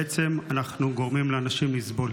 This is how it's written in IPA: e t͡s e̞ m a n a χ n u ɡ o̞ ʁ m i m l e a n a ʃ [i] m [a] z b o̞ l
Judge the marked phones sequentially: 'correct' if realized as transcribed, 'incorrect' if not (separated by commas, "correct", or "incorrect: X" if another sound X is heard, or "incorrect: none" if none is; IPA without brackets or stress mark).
correct, incorrect: i